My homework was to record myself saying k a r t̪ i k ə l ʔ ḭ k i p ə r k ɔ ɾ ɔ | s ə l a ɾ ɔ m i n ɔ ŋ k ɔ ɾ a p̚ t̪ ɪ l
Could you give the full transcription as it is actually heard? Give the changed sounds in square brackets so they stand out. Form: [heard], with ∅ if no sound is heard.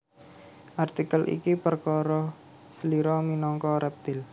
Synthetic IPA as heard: [ʔ] a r t̪ i k ə l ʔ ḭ k i p ə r k ɔ ɾ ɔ | s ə l [i] ɾ ɔ m i n ɔ ŋ k ɔ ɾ [ɛ] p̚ t̪ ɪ l